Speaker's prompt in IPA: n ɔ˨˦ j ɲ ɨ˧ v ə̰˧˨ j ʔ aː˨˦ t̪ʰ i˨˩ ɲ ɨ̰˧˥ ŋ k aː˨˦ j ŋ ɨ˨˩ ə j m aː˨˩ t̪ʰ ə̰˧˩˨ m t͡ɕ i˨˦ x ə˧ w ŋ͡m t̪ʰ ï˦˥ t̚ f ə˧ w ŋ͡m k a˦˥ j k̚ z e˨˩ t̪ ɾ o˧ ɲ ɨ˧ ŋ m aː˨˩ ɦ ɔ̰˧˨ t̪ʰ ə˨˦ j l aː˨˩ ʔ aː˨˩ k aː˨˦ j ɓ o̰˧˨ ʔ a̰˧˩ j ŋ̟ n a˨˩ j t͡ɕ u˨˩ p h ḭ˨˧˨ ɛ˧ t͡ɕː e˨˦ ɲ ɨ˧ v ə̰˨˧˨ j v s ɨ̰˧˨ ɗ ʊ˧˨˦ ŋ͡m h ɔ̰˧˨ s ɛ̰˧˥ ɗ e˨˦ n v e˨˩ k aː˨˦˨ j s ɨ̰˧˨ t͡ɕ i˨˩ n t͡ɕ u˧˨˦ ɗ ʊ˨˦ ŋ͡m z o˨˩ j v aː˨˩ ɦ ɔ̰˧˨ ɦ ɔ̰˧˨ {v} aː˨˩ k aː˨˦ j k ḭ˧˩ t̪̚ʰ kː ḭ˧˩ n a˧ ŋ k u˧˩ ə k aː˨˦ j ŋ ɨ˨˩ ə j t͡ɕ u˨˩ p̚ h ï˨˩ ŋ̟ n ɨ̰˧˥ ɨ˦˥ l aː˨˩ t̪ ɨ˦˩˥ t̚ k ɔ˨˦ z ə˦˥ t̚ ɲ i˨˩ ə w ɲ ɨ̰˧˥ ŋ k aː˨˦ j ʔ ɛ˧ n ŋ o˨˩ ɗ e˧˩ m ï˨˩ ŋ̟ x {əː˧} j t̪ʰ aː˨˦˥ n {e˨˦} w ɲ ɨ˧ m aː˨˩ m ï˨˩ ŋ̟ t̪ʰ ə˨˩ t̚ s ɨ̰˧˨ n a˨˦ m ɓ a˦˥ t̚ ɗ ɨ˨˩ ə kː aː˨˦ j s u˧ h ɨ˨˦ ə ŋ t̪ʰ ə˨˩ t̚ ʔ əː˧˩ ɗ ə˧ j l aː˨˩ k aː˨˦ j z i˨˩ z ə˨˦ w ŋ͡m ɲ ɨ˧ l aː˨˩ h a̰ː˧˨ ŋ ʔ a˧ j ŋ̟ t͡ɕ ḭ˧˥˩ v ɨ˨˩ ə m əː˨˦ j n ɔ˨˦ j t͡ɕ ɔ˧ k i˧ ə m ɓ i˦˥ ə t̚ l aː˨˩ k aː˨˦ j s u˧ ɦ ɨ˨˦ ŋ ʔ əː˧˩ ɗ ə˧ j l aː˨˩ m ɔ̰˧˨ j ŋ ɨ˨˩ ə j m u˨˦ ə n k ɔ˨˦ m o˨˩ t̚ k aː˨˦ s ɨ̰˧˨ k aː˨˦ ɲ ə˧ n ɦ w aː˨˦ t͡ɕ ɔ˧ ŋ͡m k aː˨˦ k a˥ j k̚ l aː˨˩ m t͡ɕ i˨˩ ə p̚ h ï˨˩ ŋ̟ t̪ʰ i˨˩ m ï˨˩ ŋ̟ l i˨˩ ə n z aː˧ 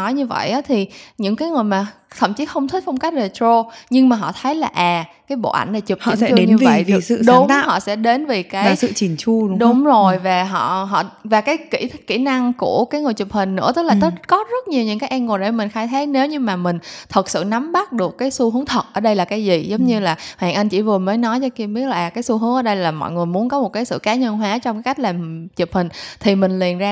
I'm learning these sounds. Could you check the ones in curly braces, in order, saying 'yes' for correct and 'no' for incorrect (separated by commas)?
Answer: yes, no, yes